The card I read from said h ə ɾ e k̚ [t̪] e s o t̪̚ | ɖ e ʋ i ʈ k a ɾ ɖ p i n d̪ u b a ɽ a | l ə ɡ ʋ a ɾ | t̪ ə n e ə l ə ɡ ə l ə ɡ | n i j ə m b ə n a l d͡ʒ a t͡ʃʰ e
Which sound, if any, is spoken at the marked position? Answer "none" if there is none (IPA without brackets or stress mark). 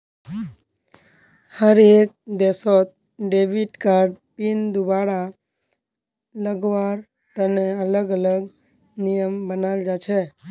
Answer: d̪